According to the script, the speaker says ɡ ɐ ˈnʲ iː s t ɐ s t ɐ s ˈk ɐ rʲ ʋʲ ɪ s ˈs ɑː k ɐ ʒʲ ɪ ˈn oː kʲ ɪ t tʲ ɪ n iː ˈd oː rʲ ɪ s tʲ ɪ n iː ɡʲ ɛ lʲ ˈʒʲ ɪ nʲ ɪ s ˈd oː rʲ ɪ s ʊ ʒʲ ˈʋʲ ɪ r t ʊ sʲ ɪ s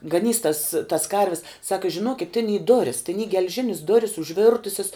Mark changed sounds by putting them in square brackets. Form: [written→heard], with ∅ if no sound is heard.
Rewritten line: ɡ ɐ ˈnʲ iː s t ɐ s t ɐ s ˈk ɐ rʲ ʋʲ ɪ s ˈs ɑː k ɐ ʒʲ ɪ ˈn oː kʲ ɪ t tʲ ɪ n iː ˈd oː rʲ ɪ s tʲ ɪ n iː ɡʲ ɛ lʲ ˈʒʲ ɪ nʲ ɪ s ˈd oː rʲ ɪ s ʊ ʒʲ ˈʋʲ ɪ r t ʊ sʲ ɪ s